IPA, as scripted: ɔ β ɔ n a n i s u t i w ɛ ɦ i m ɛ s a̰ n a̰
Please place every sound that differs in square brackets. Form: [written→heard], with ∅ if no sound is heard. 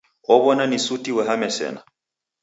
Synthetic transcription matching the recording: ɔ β ɔ n a n i s u t i w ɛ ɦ [i→a] m ɛ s [a̰→ɛ̰] n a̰